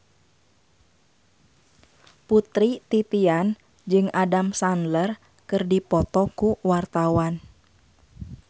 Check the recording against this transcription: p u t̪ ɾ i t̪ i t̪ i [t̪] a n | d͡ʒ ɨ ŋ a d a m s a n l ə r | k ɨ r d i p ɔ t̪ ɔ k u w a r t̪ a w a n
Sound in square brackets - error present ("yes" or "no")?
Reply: yes